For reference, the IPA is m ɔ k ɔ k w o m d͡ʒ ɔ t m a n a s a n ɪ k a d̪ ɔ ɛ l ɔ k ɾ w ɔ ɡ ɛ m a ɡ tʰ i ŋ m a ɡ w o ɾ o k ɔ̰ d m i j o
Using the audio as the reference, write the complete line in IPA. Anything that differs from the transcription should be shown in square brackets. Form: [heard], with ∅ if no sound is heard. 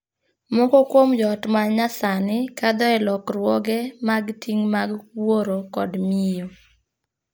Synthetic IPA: m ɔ k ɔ k w o m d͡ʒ ɔ t m a [ɲ] a s a n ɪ k a d̪ ɔ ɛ l ɔ k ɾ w ɔ ɡ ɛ m a ɡ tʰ i ŋ m a ɡ w o ɾ o k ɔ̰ d m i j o